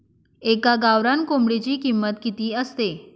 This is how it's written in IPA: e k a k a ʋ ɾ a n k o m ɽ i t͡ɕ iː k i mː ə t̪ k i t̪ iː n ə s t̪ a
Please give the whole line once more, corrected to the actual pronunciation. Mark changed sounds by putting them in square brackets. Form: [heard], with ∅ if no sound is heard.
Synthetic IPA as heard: e k a [ɡ] a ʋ ɾ a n k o m ɽ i t͡ɕ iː k i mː ə t̪ k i t̪ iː [∅] ə s t̪ [e]